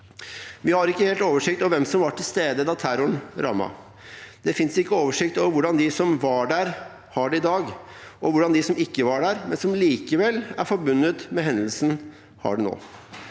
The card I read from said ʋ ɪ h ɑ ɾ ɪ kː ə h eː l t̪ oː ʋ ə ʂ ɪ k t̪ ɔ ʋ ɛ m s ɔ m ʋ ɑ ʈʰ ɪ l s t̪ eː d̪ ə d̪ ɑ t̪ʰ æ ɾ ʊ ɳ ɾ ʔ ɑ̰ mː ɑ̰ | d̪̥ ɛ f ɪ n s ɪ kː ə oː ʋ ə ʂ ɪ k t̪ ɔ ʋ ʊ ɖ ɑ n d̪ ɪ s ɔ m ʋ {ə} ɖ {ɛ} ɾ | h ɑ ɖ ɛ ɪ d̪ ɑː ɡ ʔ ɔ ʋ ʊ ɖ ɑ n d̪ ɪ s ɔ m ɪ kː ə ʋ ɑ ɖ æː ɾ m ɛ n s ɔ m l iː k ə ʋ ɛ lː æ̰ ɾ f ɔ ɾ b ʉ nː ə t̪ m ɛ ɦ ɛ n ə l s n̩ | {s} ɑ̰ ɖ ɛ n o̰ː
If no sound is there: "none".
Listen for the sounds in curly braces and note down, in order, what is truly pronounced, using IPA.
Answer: ɑ, æ, h

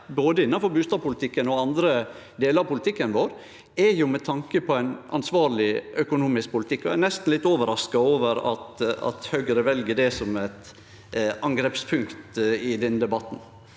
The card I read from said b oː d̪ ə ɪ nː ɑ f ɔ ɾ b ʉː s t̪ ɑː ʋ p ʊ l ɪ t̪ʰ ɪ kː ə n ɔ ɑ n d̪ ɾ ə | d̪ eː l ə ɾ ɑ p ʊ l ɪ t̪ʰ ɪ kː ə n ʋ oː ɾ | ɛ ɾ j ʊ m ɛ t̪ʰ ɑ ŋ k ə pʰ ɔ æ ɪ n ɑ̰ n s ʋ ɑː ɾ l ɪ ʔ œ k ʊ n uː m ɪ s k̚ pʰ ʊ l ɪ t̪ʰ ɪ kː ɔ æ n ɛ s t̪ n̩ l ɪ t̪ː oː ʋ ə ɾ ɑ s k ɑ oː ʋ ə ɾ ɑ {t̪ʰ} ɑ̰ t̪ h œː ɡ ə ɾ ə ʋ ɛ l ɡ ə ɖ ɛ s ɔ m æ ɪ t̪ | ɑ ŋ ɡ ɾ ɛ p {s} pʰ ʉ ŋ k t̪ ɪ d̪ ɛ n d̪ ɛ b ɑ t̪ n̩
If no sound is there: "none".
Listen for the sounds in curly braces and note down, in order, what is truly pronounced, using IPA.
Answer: t̪, s

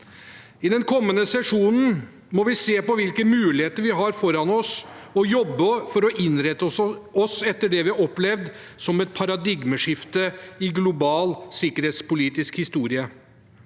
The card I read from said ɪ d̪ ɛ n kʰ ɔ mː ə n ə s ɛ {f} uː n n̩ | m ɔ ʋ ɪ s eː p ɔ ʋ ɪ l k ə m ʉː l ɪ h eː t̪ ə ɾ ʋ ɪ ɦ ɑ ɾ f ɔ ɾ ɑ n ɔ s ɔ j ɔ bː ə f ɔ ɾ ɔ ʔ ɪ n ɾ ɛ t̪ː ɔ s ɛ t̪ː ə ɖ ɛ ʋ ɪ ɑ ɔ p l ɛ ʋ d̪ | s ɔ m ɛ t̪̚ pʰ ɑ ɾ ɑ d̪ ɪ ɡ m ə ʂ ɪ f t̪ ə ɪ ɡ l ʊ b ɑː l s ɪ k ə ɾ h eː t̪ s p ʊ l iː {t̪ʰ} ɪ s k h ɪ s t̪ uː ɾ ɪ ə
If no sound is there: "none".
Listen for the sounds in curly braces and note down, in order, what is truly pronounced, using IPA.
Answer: ʂ, t̪

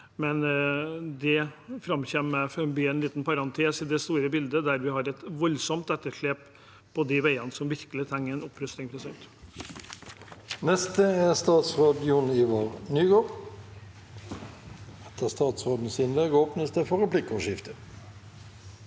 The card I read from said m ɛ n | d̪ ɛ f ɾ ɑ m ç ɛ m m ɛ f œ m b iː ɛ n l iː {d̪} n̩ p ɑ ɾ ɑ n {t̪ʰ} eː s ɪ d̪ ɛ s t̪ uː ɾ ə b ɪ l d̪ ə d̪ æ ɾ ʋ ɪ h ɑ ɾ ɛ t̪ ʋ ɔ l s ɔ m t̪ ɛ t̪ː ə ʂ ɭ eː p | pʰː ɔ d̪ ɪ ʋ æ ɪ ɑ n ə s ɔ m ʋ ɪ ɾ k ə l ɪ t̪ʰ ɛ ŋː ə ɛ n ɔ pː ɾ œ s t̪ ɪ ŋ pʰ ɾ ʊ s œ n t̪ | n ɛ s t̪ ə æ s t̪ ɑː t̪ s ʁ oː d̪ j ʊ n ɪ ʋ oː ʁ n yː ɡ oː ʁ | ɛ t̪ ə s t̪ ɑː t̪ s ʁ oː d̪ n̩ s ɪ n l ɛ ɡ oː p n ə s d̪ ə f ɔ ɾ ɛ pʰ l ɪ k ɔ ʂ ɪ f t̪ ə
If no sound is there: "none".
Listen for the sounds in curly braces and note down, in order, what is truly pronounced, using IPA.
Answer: t̪, t̪ʰ

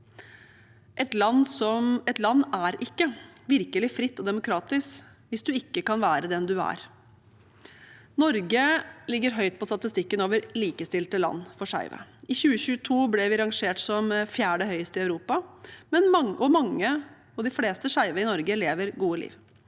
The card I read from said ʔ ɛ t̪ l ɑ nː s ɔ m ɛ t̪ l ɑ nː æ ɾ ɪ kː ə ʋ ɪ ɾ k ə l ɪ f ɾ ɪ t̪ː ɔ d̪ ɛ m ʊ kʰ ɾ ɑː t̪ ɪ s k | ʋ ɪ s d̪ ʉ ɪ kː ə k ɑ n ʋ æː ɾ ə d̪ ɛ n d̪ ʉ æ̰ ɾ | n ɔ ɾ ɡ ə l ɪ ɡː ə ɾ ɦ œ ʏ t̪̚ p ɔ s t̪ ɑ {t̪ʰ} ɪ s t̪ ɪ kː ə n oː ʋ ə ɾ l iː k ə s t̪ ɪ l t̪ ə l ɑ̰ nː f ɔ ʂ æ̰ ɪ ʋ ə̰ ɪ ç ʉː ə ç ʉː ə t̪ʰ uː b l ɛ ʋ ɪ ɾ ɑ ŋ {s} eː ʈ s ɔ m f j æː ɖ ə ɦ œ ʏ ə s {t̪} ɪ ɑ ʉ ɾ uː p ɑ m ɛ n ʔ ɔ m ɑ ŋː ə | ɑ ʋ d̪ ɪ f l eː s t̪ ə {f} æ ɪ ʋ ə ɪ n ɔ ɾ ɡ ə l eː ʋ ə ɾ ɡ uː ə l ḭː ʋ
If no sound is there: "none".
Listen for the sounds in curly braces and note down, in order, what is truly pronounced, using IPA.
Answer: t̪, ʂ, t̪, ʂ

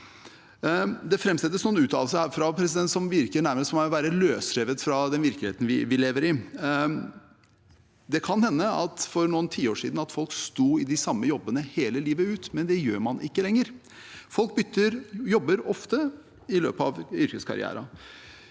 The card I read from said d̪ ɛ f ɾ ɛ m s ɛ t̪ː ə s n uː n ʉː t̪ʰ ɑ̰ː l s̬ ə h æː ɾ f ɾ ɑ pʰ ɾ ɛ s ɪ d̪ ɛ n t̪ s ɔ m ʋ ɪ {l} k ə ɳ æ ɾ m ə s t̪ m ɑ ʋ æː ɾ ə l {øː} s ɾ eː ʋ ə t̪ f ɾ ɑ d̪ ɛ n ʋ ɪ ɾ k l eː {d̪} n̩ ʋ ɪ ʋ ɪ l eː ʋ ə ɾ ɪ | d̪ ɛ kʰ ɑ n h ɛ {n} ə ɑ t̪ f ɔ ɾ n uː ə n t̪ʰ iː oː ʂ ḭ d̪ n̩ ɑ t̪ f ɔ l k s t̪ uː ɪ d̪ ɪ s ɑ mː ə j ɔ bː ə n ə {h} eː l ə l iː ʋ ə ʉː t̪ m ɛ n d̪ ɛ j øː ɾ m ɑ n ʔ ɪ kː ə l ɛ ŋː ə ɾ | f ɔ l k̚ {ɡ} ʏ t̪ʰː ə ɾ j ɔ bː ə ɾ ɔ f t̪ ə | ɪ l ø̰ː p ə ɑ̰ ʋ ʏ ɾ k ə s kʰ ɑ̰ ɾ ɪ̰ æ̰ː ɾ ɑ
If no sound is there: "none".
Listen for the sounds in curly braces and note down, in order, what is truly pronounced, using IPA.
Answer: ɾ, øː, t̪, nː, h, b

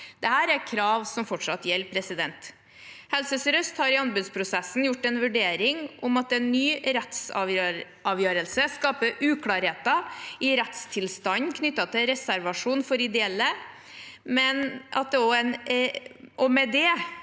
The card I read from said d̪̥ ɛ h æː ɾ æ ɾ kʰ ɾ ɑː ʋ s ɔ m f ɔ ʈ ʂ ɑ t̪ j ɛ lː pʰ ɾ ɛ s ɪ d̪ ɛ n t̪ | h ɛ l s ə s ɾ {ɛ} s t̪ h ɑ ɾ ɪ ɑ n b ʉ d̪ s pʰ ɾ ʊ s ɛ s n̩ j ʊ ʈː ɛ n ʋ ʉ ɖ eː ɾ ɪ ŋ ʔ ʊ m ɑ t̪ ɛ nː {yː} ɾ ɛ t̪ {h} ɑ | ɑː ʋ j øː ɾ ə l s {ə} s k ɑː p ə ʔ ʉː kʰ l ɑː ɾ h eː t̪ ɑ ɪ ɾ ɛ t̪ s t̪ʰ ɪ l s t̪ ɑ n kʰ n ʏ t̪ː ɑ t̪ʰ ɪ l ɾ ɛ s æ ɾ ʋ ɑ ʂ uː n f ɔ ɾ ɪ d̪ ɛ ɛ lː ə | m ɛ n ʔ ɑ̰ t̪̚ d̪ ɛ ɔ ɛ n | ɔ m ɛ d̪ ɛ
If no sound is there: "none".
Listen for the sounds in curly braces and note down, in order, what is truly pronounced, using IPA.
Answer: œ, yː, s, ə

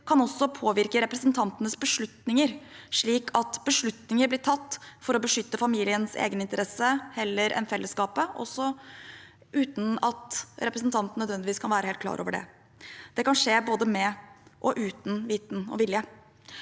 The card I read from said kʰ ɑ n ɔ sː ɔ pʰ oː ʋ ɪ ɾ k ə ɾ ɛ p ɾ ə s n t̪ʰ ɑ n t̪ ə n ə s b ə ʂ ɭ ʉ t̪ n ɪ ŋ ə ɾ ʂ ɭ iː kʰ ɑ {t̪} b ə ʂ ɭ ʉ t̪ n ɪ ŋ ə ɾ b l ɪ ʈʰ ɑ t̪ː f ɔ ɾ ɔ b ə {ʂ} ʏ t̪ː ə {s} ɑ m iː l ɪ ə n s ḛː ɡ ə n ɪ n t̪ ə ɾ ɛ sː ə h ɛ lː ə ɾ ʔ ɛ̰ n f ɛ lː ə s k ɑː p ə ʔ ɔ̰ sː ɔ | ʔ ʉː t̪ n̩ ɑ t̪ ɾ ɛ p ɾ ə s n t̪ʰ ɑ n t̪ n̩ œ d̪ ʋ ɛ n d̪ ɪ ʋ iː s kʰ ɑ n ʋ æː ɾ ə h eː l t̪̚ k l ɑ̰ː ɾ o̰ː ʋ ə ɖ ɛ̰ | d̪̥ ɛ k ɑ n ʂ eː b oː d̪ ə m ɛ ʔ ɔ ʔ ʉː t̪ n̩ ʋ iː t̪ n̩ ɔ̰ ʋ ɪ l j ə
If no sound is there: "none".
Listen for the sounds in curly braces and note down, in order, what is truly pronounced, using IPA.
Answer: t̪, ʂ, f

